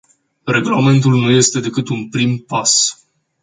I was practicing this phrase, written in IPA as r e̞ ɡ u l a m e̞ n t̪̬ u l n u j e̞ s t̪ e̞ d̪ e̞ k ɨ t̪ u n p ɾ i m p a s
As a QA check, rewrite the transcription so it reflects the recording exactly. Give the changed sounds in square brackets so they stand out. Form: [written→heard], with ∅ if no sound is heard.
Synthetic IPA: r e̞ ɡ u l a m e̞ n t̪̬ u l n u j e̞ s t̪ e̞ d̪ e̞ k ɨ t̪ u n p ɾ i m p a s